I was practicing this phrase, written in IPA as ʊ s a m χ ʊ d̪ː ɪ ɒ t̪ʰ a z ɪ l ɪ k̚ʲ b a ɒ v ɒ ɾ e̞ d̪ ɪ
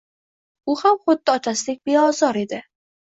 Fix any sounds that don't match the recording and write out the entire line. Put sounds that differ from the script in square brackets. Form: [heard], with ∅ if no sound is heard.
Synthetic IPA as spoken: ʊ [h] a m χ ʊ d̪ː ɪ ɒ t̪ʰ a [s] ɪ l ɪ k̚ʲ b [e] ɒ [z] ɒ ɾ e̞ d̪ ɪ